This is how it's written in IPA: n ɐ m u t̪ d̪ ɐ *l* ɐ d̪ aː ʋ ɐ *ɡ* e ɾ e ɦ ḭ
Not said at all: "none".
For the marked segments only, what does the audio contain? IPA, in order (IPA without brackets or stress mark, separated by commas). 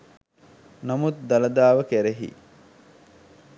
l, k